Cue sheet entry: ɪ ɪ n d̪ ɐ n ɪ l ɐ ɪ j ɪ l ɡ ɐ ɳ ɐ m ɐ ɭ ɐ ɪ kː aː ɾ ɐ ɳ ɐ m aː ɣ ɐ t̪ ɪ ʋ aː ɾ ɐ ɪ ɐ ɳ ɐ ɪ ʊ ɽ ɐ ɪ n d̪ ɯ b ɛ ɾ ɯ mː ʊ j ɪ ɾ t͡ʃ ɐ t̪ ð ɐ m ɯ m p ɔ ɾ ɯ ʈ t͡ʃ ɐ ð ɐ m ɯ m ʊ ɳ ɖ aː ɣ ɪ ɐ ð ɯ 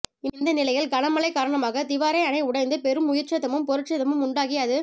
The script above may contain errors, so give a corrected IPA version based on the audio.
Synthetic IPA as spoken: ɪ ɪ n d̪ ɐ n ɪ l ɐ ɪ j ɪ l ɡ ɐ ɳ ɐ m ɐ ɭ ɐ ɪ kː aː ɾ ɐ ɳ ɐ m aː ɣ ɐ t̪ ɪ ʋ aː ɾ ɐ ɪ ɐ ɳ ɐ ɪ ʊ ɽ ɐ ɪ n d̪ ɯ p ɛ ɾ ɯ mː ʊ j ɪ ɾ t͡ʃ ɐ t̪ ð ɐ m ɯ m p ɔ ɾ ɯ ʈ t͡ʃ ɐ ð ɐ m ɯ m ʊ ɳ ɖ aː ɣ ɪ ɐ ð ɯ